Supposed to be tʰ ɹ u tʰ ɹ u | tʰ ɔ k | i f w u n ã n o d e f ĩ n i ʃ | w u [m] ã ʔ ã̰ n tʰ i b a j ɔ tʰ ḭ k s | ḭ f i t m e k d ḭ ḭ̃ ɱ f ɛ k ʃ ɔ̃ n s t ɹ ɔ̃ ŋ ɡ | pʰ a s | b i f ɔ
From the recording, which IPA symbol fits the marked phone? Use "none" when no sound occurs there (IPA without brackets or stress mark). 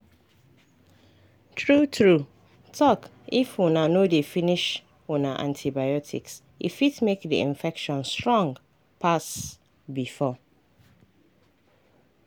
n